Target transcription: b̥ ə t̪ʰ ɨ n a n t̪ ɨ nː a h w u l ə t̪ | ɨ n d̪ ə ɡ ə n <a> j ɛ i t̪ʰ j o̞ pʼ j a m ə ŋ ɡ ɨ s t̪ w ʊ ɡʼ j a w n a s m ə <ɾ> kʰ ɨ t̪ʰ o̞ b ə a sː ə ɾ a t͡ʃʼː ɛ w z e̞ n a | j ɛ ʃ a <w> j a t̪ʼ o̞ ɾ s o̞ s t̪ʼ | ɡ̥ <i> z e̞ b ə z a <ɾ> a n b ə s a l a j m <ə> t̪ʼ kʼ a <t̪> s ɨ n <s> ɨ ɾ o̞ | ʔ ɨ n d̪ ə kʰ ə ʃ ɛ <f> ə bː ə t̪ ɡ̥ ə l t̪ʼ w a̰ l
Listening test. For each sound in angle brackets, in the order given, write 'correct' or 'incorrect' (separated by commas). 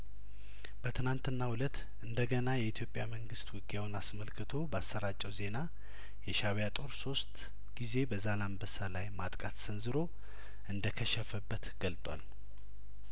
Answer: correct, incorrect, incorrect, correct, incorrect, incorrect, correct, incorrect, correct